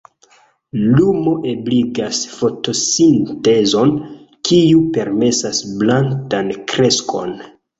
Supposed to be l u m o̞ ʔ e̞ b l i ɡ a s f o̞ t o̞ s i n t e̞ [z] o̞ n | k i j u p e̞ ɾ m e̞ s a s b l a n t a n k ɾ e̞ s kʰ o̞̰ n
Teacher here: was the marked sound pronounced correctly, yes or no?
yes